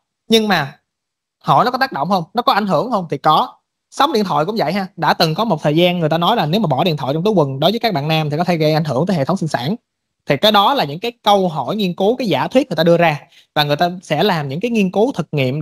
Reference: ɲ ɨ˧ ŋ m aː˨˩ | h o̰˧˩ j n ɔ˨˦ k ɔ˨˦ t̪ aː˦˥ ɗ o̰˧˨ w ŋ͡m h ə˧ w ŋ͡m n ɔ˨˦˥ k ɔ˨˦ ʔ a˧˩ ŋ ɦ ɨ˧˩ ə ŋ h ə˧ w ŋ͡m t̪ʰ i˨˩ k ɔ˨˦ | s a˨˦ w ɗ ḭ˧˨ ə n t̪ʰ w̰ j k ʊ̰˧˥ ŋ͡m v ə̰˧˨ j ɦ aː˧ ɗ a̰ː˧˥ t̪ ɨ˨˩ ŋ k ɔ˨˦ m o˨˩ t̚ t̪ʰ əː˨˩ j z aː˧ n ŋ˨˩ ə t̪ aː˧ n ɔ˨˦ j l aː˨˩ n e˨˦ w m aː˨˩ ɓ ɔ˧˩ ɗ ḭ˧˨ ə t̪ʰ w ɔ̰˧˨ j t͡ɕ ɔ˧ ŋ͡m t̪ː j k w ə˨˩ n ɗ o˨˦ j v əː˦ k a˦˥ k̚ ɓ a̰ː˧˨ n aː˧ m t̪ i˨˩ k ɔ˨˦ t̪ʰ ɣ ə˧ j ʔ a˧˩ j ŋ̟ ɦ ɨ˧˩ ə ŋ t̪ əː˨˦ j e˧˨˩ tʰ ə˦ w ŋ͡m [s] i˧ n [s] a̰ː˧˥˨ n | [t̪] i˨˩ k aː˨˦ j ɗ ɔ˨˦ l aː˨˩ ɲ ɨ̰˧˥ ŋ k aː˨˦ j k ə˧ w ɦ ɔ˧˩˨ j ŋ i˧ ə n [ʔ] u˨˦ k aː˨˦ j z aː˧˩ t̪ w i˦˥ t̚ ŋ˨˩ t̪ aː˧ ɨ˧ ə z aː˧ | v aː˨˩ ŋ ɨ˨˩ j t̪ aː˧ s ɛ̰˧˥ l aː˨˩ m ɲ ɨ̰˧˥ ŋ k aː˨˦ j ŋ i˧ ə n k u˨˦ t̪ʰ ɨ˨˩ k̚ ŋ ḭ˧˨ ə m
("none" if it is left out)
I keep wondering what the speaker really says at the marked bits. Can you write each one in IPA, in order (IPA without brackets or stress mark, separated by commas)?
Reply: s, s, t̪ʰ, k